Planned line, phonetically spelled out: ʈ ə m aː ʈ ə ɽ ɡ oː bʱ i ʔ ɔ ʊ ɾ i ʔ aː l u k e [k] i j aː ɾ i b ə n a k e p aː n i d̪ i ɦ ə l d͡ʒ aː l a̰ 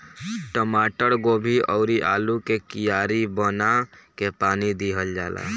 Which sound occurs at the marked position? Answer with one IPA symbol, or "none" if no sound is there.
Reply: k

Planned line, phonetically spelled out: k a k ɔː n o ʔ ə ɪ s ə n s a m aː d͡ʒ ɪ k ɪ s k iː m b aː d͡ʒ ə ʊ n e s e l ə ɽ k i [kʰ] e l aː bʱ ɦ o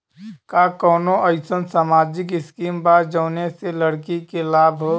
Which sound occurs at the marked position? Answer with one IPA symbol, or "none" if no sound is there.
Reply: k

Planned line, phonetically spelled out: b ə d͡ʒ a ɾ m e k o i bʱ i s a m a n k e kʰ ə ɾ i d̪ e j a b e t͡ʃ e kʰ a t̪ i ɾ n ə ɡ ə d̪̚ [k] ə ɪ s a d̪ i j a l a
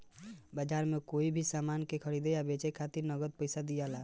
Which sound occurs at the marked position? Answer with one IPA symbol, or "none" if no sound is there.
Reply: p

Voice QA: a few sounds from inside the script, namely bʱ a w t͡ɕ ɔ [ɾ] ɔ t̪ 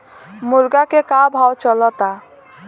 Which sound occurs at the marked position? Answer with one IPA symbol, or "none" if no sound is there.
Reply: l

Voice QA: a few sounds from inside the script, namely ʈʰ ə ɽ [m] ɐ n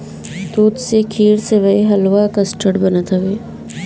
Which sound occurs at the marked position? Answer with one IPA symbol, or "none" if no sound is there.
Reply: b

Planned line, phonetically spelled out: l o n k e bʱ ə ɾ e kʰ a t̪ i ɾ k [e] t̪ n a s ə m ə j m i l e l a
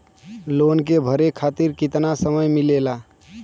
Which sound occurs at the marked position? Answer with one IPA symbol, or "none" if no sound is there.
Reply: i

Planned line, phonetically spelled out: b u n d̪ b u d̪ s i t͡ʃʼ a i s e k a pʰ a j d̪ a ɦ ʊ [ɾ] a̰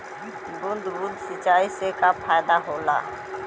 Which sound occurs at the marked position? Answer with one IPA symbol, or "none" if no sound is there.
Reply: l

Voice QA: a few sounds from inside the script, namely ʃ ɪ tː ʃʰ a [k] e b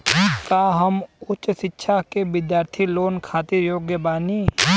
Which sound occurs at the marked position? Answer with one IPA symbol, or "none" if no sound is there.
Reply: k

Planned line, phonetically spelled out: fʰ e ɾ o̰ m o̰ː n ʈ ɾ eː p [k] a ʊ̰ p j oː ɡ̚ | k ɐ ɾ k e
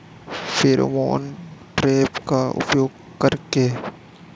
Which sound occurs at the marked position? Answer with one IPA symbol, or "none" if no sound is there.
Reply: k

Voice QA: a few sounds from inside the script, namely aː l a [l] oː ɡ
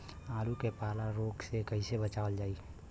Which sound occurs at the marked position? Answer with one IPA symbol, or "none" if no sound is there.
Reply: ɾ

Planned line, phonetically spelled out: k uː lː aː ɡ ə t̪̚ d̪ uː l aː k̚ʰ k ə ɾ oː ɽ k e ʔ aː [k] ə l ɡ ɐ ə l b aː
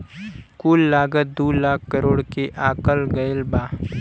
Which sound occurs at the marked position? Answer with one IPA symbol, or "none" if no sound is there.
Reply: k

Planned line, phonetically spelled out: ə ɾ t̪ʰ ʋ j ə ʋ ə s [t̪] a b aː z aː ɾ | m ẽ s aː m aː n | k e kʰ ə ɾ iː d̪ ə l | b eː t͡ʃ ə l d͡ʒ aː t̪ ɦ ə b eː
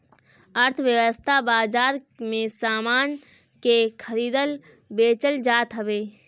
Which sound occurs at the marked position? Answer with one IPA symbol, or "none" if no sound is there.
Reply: t̪ʰ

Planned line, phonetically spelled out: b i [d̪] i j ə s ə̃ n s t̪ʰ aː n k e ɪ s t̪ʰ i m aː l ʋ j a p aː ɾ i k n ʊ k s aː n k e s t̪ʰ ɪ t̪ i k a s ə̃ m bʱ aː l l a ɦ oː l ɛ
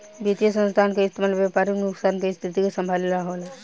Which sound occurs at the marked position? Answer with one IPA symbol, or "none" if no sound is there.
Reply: t̪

